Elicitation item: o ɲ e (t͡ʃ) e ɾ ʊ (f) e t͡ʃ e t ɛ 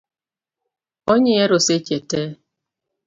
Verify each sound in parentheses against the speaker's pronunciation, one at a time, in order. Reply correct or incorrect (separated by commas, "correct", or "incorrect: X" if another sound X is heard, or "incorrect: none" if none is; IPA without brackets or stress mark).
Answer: incorrect: none, incorrect: s